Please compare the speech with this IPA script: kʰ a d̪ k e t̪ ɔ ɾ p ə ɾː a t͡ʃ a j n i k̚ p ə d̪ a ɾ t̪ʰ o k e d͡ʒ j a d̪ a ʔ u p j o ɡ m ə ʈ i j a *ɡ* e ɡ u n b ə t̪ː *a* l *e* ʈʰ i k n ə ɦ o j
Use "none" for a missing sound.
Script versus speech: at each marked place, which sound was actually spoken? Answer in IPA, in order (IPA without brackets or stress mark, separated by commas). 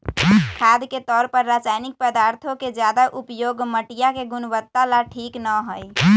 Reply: k, a, a